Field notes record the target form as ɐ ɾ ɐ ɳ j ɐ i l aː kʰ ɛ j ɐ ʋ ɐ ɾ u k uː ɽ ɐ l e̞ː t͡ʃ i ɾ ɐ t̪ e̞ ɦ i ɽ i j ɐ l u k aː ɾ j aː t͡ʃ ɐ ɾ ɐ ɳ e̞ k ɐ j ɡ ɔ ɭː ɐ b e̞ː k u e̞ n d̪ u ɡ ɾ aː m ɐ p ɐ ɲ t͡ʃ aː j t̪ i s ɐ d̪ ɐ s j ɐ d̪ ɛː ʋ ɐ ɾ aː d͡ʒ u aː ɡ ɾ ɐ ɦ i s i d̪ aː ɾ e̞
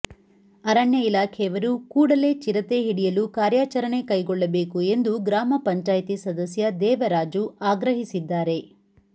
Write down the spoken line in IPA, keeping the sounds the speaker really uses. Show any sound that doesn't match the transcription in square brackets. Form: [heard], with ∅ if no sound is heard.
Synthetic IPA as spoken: ɐ ɾ ɐ ɳ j ɐ i l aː kʰ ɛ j ɐ ʋ ɐ ɾ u k uː ɽ ɐ l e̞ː t͡ʃ i ɾ ɐ t̪ e̞ ɦ i ɽ i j ɐ l u k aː ɾ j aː t͡ʃ ɐ ɾ ɐ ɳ e̞ k ɐ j ɡ ɔ ɭː ɐ b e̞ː k u e̞ n d̪ u ɡ ɾ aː m ɐ p ɐ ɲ t͡ʃ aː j t̪ i s ɐ d̪ ɐ s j ɐ d̪ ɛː ʋ ɐ ɾ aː d͡ʒ u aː ɡ ɾ ɐ ɦ i s i [d̪ː] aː ɾ e̞